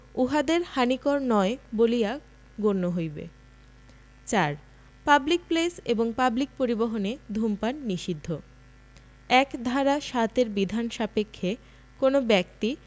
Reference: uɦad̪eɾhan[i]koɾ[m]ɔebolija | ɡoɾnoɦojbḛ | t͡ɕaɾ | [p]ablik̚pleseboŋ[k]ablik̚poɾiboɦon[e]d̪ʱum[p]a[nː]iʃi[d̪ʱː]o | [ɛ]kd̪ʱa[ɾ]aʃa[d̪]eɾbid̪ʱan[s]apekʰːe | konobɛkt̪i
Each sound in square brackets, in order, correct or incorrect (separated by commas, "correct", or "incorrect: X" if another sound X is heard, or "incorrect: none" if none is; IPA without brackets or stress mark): correct, incorrect: n, correct, incorrect: p, correct, correct, correct, correct, correct, correct, incorrect: t̪, incorrect: ʃ